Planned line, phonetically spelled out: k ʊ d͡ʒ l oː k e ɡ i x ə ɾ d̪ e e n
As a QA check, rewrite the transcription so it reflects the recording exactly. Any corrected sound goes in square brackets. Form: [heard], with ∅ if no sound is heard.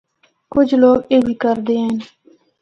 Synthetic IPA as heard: k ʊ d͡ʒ l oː [ɡ] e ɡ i [k] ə ɾ d̪ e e n